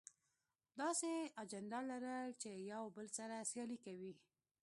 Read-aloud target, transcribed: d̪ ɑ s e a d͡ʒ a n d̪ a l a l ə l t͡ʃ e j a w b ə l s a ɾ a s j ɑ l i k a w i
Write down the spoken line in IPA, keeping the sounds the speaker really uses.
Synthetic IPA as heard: d̪ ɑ s e a d͡ʒ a n d̪ a l a ɾ ə l t͡ʃ e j a w b ə l s a ɾ a s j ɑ l i k a w i